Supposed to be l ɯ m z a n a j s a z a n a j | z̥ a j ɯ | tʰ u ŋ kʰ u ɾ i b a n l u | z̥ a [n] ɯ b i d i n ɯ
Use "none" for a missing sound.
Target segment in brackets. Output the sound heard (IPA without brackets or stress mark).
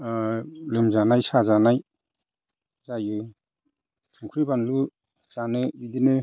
n